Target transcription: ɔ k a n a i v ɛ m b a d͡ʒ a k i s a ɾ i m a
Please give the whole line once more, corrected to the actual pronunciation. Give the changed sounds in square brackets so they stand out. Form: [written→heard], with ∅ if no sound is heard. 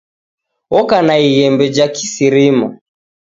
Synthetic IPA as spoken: ɔ k a n a i [v→ɣ] ɛ m b [a→ɛ] d͡ʒ a k i s [a→i] ɾ i m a